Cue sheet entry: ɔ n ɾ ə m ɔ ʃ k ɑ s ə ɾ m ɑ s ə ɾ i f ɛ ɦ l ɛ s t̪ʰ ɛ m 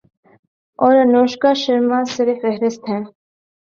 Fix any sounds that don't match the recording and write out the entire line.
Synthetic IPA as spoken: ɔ ɾ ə n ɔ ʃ k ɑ ʃ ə ɾ m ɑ s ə ɾ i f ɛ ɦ ɾ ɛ s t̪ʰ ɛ n